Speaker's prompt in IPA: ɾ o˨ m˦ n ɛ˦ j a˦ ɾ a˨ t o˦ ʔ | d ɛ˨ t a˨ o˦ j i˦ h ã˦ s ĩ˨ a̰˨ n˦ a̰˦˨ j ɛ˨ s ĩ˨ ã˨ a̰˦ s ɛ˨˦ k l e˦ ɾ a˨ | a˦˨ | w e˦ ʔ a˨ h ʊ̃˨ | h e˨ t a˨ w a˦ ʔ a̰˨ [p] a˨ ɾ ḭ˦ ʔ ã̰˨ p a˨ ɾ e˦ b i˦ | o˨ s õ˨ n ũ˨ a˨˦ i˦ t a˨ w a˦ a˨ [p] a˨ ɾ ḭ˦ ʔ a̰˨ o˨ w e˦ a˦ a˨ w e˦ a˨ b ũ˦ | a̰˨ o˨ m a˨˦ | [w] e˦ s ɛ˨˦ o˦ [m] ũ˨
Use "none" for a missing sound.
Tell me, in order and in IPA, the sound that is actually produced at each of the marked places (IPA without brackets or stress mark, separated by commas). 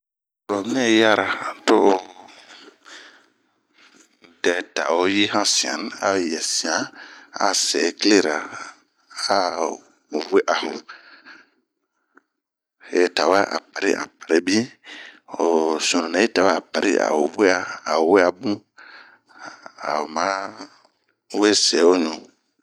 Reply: p, p, w, ɲ